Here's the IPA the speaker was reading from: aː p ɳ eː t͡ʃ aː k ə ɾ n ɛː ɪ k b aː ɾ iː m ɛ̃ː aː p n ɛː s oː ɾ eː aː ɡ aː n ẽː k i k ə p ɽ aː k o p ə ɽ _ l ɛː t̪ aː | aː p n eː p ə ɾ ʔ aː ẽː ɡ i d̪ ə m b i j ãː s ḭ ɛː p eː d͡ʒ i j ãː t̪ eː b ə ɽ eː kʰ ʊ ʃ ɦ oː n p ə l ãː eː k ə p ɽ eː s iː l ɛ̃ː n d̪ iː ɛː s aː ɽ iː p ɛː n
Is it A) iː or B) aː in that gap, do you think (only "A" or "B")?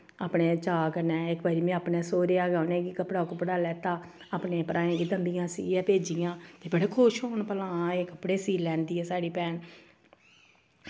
B